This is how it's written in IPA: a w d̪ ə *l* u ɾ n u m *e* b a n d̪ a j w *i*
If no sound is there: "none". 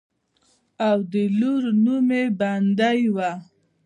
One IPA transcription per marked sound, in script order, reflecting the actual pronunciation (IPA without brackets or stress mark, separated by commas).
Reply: l, e, a